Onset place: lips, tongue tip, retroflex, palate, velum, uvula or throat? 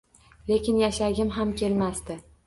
tongue tip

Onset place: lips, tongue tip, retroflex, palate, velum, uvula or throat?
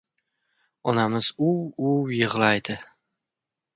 tongue tip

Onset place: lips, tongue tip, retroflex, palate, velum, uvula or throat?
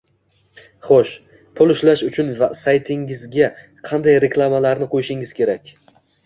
uvula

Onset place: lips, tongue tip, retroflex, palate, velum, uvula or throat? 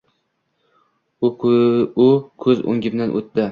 velum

